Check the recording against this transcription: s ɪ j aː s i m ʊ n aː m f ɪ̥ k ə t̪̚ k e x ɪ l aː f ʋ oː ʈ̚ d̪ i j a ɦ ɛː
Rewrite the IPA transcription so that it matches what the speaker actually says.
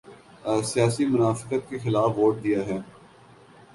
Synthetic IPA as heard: s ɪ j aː s i m ʊ n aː f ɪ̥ k ə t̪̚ k e x ɪ l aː f ʋ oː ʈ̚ d̪ i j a ɦ ɛː